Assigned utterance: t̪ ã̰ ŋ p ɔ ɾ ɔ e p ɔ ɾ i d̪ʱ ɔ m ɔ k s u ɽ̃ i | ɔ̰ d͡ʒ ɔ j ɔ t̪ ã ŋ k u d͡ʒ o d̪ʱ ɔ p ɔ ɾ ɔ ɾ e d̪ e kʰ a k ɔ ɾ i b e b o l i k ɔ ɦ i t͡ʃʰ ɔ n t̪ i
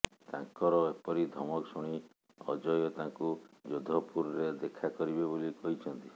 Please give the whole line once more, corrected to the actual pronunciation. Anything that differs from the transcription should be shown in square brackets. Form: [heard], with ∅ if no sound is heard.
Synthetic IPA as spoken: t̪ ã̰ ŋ [k] ɔ ɾ ɔ e p ɔ ɾ i d̪ʱ ɔ m ɔ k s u ɽ̃ i | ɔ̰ d͡ʒ ɔ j ɔ t̪ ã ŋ k u d͡ʒ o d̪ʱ ɔ p [u] ɾ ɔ ɾ e d̪ e kʰ a k ɔ ɾ i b e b o l i k ɔ ɦ i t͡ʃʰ ɔ n t̪ i